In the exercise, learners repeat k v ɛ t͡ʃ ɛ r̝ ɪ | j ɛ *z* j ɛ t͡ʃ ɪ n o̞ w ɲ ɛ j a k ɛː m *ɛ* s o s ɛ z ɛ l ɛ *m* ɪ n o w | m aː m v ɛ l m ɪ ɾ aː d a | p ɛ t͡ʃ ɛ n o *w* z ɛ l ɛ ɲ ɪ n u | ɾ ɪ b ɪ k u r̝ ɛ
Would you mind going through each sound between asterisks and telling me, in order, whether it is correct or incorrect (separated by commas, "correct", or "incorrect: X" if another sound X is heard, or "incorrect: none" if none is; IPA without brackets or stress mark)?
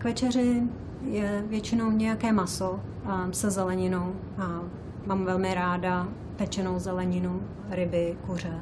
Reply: incorrect: v, incorrect: a, incorrect: ɲ, correct